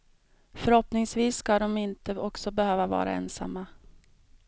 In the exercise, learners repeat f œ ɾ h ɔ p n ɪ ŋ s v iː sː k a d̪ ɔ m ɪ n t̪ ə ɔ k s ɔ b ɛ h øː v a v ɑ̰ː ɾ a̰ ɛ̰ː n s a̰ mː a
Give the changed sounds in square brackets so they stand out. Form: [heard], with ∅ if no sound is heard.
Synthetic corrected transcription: f œ ɾ h ɔ p n ɪ ŋ s v iː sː k a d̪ ɔ m ɪ n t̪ ə ɔ k s ɔ b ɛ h øː v a v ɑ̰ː ɾ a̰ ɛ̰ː n s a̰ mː a